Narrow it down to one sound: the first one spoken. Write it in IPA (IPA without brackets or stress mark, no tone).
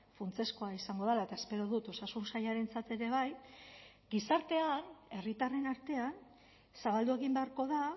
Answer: f